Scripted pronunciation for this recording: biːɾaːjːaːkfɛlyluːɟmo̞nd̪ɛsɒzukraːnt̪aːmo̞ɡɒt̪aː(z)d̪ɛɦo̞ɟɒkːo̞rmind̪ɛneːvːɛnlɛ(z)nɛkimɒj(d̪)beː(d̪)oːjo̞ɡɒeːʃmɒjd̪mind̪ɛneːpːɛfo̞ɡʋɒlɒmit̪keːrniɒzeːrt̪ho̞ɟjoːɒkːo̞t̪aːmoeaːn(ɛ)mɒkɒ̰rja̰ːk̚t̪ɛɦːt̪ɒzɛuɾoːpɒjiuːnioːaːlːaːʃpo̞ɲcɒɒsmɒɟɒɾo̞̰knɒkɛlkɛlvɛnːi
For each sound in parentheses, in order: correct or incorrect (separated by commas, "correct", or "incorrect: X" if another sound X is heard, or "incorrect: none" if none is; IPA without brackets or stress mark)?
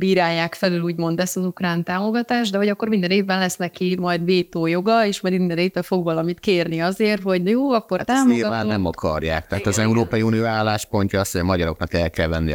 incorrect: ʒ, incorrect: s, correct, incorrect: t̪, correct